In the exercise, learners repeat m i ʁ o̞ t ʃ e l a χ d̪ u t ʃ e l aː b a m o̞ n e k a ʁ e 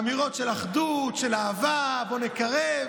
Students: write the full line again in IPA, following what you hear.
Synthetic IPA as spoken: m i ʁ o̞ t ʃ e l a χ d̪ u t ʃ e l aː v a b o̞ n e k a ʁ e